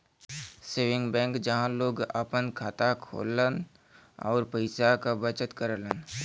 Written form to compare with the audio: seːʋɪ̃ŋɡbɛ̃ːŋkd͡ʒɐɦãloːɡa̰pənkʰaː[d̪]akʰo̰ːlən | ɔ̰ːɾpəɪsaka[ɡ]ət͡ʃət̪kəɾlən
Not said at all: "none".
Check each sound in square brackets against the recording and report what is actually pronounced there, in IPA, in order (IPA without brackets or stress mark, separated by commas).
t̪, b